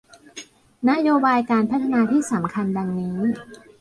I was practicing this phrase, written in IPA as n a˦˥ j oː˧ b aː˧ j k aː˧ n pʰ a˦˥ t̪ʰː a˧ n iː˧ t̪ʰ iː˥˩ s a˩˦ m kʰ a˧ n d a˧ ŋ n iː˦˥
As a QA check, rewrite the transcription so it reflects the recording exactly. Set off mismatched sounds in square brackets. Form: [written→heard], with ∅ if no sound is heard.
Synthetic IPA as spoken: n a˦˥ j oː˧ b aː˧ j k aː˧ n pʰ a˦˥ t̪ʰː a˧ n [iː˧→aː˧] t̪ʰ iː˥˩ s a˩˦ m kʰ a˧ n d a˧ ŋ n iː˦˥